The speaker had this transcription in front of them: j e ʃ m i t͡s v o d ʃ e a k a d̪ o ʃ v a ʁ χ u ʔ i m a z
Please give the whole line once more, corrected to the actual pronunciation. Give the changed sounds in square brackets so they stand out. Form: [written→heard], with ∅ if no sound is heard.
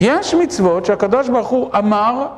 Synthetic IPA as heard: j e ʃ m i t͡s v o [d→t] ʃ e a k a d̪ o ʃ [v→b] a ʁ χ u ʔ [i→a] m a [z→ʁ]